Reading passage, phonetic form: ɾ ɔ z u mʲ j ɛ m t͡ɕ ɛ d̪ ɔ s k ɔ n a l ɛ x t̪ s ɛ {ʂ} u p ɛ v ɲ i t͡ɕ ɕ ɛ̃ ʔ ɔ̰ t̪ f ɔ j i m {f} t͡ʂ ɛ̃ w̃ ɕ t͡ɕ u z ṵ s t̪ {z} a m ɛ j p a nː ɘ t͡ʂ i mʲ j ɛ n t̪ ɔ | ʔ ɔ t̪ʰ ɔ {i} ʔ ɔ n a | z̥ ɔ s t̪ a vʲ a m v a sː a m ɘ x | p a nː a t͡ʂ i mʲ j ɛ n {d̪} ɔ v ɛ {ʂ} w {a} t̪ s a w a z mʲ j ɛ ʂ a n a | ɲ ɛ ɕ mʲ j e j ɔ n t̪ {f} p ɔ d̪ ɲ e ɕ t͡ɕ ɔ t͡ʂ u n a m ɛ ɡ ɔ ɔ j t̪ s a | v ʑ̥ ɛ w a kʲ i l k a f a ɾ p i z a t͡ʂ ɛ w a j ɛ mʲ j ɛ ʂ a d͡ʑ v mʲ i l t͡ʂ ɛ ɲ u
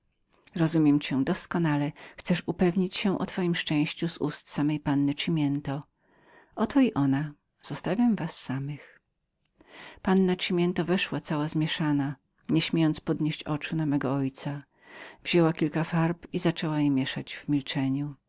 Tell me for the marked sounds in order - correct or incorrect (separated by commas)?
correct, incorrect, incorrect, correct, incorrect, correct, correct, incorrect